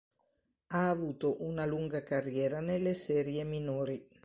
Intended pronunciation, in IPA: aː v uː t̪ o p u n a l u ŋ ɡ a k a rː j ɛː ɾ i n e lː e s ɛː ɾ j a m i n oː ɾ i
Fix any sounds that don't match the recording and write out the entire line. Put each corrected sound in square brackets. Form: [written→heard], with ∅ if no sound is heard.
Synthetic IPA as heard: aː v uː t̪ o [p→ʔ] u n a l u ŋ ɡ a k a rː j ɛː ɾ [i→a] n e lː e s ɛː ɾ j [a→e] m i n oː ɾ i

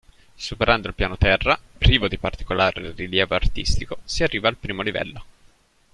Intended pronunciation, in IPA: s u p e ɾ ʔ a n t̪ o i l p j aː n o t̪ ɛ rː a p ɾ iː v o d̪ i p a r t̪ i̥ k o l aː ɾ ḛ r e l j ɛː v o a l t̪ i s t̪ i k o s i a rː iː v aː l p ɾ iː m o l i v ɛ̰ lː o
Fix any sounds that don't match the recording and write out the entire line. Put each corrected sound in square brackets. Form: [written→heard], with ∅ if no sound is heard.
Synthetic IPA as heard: s u p e ɾ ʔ a n [t̪→d̪] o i l p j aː n o t̪ ɛ rː a p ɾ iː v o d̪ i p a r t̪ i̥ k o l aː ɾ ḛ r [e→i] l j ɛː v o a [l→r] t̪ i s t̪ i k o s i a rː iː v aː l p ɾ iː m o l i v ɛ̰ lː o

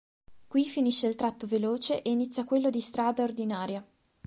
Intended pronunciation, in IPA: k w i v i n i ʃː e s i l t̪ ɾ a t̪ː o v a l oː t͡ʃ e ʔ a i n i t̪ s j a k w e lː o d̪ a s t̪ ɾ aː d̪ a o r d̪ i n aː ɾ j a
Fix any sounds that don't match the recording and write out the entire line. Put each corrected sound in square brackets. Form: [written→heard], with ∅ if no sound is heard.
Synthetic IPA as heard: k w i [v→f] i n i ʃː e [s→∅] i l t̪ ɾ a t̪ː o v [a→e] l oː t͡ʃ e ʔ [a→e] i n i t̪ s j a k w e lː o d̪ [a→i] s t̪ ɾ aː d̪ a o r d̪ i n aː ɾ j a

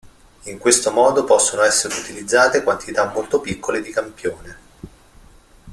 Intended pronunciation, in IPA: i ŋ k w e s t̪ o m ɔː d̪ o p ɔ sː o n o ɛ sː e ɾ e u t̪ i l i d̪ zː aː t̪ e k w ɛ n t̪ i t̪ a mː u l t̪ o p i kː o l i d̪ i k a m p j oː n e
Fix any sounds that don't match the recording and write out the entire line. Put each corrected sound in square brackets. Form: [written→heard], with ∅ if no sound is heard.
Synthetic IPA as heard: i ŋ k w e s t̪ o m ɔː d̪ o p ɔ sː o n o ɛ sː e ɾ e u t̪ i l i d̪ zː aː t̪ e k w [ɛ→a] n t̪ i t̪ a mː [u→o] l t̪ o p i kː o l [i→e] d̪ i k a m p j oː n e

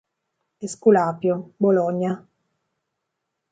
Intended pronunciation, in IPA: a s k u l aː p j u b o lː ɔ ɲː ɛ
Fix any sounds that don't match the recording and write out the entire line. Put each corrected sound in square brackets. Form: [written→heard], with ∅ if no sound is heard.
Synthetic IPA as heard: [a→e] s k u l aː p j [u→o] b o [lː→l] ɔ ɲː [ɛ→a]

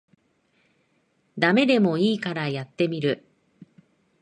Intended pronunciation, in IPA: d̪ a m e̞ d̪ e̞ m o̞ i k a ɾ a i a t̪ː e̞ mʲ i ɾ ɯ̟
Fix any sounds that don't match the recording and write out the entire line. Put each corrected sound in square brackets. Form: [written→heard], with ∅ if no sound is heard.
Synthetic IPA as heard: d̪ a m e̞ d̪ e̞ m o̞ [i→iː] k a ɾ a [i→j] a t̪ː e̞ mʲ i ɾ ɯ̟

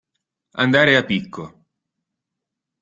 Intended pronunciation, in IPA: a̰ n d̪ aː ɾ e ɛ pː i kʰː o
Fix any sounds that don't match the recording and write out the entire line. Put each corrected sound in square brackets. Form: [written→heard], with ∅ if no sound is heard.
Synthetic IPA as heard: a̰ n d̪ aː ɾ e [ɛ→a] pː i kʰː o

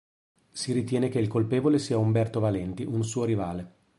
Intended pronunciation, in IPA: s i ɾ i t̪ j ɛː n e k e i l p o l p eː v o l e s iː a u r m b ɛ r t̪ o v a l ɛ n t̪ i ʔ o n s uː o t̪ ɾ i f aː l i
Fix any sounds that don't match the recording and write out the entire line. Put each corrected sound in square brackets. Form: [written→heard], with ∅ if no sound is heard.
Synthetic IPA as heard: s i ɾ i t̪ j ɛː n e k e i l [p→k] o l p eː v o l e s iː a u [r→∅] m b ɛ r t̪ o v a l ɛ n t̪ i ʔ [o→u] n s uː o [t̪→∅] ɾ i [f→v] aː l [i→e]

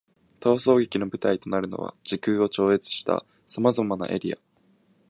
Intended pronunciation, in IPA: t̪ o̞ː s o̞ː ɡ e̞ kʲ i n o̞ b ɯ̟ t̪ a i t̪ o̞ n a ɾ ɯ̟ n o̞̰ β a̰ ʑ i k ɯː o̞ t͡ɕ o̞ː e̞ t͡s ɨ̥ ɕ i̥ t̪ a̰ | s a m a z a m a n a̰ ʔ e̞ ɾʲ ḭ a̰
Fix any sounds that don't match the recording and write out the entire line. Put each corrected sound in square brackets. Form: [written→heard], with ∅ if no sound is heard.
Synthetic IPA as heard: t̪ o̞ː s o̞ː ɡ e̞ kʲ i n o̞ b ɯ̟ t̪ a i t̪ o̞ n a ɾ ɯ̟ n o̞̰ β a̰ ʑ i k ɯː o̞ t͡ɕ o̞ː e̞ t͡s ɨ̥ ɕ i̥ t̪ a̰ | s a m a z a m a n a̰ ʔ e̞ ɾʲ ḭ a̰

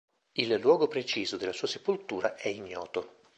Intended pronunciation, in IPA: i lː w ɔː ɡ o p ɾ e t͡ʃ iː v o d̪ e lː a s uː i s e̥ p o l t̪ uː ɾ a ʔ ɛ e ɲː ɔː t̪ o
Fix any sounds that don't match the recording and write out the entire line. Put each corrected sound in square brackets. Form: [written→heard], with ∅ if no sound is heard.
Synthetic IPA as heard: i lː w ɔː ɡ o p ɾ e t͡ʃ iː [v→z] o d̪ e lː a s uː [i→a] s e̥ p o l t̪ uː ɾ a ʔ ɛ [e→i] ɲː ɔː t̪ o

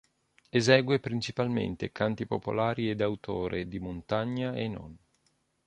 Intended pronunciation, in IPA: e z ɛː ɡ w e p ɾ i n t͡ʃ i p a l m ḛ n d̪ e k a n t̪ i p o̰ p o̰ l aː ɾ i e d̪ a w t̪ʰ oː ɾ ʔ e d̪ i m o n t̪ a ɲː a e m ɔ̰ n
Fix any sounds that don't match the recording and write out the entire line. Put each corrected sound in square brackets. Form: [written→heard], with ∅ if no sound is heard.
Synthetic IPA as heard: e z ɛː ɡ w e p ɾ i n t͡ʃ i p a l m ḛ n [d̪→t̪] e k a n t̪ i p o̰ p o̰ l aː ɾ i e d̪ a w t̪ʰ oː ɾ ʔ e d̪ i m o n t̪ a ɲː a e [m→n] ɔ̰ n

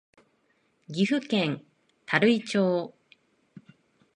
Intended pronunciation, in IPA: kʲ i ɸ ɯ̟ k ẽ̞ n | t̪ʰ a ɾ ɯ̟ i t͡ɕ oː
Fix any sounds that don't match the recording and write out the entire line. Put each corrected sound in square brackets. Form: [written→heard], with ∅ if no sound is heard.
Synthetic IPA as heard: [kʲ→ɡʲ] i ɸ ɯ̟ k ẽ̞ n | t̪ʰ a ɾ ɯ̟ i t͡ɕ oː

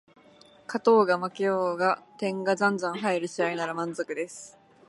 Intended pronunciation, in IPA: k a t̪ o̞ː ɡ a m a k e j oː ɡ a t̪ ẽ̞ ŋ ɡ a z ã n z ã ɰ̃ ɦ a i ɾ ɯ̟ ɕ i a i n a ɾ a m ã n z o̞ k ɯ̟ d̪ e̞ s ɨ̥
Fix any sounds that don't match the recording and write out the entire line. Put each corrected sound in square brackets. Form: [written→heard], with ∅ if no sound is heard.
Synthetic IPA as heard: k a t̪ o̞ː ɡ a m a k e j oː ɡ a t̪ ẽ̞ ŋ ɡ a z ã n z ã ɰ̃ ɦ a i ɾ ɯ̟ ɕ i a i n a ɾ a m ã n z o̞ k ɯ̟ d̪ e̞ s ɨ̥

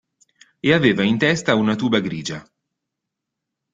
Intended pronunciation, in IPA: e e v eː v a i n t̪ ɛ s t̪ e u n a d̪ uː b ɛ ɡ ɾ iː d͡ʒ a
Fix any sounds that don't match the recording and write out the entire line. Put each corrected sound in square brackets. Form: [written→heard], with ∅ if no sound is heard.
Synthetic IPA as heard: e [e→a] v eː v a i n t̪ ɛ s t̪ [e→a] u n a [d̪→t̪] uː b [ɛ→a] ɡ ɾ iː d͡ʒ a

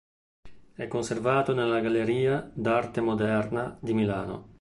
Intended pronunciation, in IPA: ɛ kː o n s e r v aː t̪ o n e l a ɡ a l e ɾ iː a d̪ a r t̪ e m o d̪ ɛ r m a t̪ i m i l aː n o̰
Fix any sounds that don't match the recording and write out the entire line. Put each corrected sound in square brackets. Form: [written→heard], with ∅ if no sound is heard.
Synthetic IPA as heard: ɛ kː o n s e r v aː t̪ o n e l a ɡ a l e ɾ iː a d̪ a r t̪ e m o d̪ ɛ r [m→n] a [t̪→d̪] i m i l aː n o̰

